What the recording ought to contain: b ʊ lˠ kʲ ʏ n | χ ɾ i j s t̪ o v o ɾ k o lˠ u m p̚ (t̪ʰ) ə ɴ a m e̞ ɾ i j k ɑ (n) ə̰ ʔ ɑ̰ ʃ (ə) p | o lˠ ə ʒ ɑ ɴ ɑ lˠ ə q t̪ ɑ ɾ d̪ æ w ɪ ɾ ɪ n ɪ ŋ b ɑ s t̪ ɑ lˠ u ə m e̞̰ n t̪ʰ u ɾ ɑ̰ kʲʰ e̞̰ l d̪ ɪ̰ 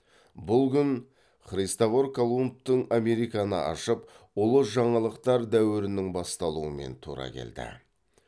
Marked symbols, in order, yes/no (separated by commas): no, yes, yes